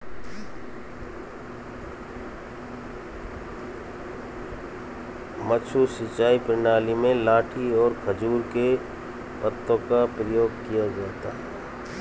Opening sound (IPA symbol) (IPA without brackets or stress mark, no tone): m